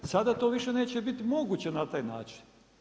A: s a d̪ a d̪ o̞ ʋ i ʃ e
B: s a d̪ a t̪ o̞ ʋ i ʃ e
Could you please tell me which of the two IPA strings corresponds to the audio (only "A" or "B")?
B